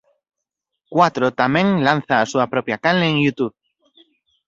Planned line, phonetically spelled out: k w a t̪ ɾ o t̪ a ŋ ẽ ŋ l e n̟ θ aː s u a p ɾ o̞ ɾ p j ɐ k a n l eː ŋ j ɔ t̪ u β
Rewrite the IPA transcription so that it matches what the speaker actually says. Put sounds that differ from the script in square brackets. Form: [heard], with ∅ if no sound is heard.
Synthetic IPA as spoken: k w a t̪ ɾ o t̪ a [m] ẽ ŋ l [a] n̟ θ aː s u a p ɾ o̞ [∅] p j [a] k a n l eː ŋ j [u] t̪ u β